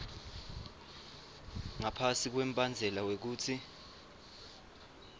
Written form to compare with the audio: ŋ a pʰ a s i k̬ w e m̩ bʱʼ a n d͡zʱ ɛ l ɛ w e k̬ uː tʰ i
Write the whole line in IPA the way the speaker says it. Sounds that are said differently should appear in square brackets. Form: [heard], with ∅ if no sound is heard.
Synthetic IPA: ŋ a pʰ a s i k̬ w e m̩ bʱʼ a n d͡zʱ ɛ l [a] w e k̬ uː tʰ i

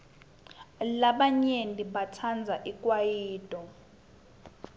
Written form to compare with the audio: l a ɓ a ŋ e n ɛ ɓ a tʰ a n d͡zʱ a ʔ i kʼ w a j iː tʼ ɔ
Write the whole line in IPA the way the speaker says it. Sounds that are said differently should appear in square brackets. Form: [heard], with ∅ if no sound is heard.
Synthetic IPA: l a ɓ a [ɲ] e n [i] ɓ a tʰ a n d͡zʱ a ʔ i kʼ w a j iː tʼ ɔ

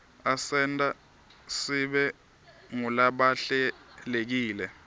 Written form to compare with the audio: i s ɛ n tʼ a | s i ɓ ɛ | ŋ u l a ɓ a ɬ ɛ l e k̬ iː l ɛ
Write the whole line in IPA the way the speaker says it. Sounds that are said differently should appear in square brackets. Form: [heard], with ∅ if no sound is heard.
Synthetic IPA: [a] s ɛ n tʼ a | s i ɓ ɛ | ŋ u l a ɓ a ɬ ɛ l e k̬ iː l ɛ

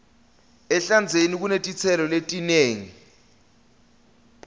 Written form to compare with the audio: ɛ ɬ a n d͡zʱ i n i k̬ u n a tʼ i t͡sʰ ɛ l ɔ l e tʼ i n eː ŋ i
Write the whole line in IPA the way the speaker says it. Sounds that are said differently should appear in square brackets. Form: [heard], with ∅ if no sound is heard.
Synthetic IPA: ɛ ɬ a n d͡zʱ [e] n i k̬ u n [e] tʼ i t͡sʰ ɛ l ɔ l e tʼ i n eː ŋ i

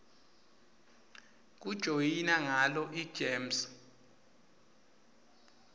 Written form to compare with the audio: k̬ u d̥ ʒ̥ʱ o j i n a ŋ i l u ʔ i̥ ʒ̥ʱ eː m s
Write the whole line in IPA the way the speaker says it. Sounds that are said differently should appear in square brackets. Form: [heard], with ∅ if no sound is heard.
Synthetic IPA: k̬ u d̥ ʒ̥ʱ o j i n a ŋ [a] l [ɔ] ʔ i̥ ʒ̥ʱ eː m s

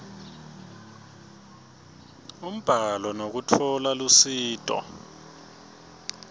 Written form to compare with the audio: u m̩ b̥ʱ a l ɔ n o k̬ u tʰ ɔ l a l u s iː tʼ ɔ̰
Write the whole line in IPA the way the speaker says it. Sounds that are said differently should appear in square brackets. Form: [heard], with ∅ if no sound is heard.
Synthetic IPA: u m̩ b̥ʱ a l ɔ n o k̬ u tʰ ɔ l a l u s iː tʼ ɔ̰

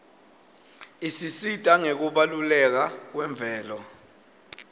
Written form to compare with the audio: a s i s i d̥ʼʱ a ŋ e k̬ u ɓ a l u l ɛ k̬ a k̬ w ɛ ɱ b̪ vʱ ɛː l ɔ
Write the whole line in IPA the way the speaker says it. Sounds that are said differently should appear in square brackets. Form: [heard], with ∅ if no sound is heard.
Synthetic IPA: [i] s i s i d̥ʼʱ a ŋ e k̬ u ɓ a l u l ɛ k̬ a k̬ w ɛ ɱ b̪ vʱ ɛː l ɔ

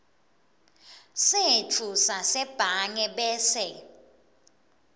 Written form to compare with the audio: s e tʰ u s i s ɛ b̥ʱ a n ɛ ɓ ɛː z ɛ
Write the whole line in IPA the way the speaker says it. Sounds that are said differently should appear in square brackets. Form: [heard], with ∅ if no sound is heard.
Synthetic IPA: s e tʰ u s [a] s ɛ b̥ʱ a [ŋ] ɛ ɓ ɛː [s] ɛ

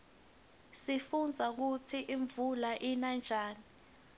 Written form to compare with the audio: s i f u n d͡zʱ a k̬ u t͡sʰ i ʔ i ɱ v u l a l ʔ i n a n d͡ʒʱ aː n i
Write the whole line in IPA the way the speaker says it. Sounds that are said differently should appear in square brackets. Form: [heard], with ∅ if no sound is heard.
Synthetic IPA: s i f u n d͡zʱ a k̬ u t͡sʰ i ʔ i ɱ v u l a [∅] ʔ i n a n d͡ʒʱ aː n i

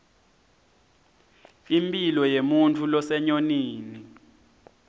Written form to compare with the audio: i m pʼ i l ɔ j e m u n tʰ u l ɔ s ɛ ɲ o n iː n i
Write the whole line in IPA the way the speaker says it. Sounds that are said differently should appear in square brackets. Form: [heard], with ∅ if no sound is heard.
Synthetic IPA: i m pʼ i l ɔ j e m u n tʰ u l ɔ s ɛ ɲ o n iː n i

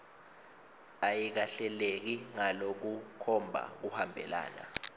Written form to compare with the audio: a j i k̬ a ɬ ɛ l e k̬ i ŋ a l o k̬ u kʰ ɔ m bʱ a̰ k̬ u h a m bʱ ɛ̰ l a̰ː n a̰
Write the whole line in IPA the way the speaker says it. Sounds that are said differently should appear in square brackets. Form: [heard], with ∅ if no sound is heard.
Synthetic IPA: a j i k̬ a ɬ ɛ l e k̬ i ŋ a l o k̬ u kʰ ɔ m bʱ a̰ k̬ u h a m bʱ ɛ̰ l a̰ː n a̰

